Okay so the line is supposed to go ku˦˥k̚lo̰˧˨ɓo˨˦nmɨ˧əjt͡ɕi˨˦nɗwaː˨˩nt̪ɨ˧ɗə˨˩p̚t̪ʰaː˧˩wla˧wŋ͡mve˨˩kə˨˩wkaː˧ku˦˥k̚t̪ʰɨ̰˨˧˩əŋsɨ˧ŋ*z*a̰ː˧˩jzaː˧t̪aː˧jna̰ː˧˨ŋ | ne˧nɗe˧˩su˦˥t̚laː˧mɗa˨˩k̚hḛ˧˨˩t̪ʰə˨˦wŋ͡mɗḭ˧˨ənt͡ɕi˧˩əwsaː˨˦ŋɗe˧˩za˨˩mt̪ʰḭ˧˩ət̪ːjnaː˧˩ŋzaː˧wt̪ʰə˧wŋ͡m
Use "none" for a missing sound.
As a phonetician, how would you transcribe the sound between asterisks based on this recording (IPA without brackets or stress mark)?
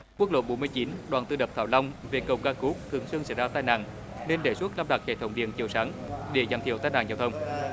s